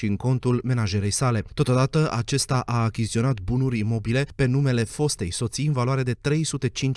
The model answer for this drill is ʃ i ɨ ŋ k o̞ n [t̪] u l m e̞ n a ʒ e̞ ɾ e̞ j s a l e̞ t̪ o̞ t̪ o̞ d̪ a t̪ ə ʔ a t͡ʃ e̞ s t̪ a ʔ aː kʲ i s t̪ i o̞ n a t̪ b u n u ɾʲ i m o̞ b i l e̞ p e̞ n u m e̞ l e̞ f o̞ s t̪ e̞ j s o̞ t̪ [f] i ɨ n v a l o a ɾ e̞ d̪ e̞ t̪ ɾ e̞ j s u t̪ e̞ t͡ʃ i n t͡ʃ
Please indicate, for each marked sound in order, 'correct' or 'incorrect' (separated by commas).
correct, incorrect